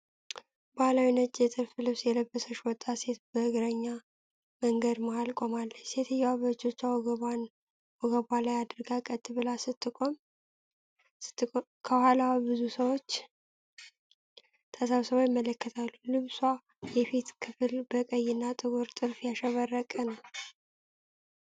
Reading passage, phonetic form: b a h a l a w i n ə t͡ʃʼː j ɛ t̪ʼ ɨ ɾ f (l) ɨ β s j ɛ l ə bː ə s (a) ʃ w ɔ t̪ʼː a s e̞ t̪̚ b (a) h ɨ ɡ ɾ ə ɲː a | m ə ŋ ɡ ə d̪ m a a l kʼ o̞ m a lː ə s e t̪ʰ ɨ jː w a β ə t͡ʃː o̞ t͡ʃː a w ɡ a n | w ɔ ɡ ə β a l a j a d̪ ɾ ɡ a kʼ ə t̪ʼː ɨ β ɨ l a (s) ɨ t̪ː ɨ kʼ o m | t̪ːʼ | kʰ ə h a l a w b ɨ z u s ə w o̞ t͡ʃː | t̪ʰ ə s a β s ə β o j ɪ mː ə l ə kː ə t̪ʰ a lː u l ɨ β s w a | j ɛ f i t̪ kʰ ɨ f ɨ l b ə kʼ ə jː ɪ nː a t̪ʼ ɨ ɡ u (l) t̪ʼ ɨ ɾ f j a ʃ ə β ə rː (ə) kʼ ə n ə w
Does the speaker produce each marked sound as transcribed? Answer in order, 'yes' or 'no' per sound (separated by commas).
yes, no, no, yes, no, yes